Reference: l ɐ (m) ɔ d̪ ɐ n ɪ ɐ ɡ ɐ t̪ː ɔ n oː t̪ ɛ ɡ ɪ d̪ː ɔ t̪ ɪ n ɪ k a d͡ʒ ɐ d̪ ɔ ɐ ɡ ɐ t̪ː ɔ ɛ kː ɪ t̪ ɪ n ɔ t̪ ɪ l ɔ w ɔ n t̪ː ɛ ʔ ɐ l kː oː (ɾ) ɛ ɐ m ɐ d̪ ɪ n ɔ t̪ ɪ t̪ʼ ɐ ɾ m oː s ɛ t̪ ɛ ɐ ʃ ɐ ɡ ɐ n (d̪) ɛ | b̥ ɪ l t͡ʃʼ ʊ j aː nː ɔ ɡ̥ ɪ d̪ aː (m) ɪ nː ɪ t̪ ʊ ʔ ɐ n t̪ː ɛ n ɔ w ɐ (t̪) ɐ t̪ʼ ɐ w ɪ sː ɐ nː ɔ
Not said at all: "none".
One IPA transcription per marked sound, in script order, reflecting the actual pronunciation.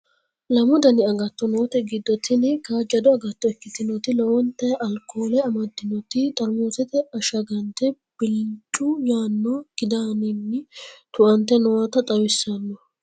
m, l, t̪, n, t̪

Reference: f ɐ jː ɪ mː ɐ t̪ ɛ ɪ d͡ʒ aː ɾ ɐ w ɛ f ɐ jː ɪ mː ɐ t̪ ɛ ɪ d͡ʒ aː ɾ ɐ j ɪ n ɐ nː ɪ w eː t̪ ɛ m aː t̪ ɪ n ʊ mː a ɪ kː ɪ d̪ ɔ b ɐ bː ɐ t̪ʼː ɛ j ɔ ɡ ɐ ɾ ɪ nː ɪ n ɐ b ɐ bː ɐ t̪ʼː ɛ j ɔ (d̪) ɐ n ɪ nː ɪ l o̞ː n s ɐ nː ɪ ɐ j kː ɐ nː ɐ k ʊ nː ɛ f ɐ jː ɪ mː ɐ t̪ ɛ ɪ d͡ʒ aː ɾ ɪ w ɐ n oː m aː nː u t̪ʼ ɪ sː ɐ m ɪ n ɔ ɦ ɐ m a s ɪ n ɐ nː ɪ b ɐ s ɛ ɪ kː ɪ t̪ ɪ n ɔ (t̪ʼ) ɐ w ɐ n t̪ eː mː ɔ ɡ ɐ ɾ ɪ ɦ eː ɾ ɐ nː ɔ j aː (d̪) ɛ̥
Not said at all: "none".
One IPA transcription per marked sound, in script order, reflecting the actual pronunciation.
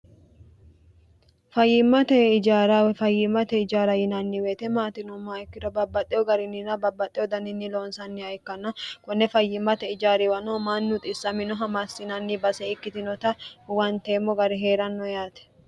d̪, t̪, t̪

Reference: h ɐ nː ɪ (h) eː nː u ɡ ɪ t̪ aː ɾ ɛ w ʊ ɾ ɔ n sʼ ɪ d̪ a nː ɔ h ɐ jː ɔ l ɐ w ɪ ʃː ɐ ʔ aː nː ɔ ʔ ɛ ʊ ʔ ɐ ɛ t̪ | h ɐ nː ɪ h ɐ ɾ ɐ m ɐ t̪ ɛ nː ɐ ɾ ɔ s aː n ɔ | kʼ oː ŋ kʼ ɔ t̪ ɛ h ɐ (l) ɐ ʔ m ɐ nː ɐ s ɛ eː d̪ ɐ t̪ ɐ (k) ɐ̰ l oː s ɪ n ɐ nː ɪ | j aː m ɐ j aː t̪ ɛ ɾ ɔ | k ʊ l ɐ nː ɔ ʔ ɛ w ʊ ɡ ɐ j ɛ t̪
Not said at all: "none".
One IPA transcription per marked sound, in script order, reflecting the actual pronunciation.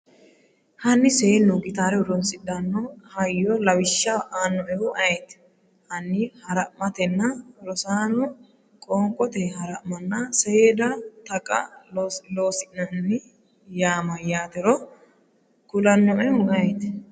s, ɾ, kʼ

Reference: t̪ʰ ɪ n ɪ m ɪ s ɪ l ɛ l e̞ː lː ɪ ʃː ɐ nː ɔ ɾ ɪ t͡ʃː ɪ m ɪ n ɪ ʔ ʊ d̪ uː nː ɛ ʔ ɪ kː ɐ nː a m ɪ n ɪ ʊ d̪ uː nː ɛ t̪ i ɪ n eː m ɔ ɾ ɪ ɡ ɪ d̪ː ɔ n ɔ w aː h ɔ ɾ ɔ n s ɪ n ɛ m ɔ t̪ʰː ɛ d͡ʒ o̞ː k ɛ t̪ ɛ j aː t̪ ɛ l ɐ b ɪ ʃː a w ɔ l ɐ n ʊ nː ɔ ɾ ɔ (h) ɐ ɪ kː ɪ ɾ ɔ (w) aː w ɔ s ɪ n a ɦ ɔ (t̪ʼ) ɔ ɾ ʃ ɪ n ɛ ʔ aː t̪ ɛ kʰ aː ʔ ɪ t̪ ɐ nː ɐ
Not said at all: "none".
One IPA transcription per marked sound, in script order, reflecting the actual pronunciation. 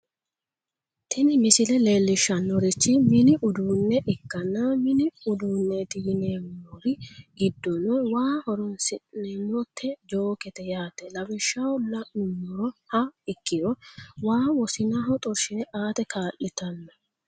h, w, t̪ʼ

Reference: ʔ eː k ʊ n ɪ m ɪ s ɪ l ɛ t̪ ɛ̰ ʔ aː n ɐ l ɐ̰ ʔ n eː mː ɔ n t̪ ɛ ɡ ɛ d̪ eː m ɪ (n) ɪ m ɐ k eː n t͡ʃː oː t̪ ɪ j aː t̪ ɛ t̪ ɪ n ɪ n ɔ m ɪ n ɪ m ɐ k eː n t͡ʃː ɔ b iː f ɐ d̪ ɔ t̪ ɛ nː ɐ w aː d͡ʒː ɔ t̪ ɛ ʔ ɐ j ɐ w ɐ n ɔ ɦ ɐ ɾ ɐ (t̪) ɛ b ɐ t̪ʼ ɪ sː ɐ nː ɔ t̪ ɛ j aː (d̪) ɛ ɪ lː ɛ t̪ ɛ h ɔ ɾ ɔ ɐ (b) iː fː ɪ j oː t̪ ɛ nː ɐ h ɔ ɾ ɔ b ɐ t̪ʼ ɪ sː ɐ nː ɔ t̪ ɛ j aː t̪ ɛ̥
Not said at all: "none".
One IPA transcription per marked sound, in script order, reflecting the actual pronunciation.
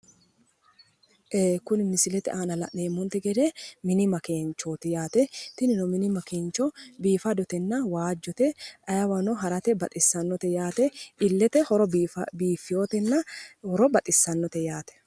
n, t̪, t̪, b

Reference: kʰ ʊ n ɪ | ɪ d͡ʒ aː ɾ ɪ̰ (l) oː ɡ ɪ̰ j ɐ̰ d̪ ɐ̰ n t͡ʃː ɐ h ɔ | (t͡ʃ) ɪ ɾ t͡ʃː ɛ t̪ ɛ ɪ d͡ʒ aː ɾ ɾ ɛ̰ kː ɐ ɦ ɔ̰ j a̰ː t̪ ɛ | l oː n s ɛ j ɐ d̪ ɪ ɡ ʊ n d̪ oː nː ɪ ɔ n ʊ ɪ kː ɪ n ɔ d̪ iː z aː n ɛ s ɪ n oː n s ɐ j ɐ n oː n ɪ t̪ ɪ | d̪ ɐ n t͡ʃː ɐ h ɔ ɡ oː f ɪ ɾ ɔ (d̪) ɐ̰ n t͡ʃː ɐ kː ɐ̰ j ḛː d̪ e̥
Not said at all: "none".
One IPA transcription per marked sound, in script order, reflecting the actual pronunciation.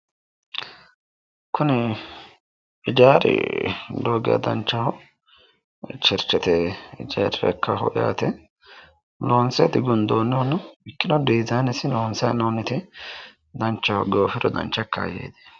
l, t͡ʃ, d̪

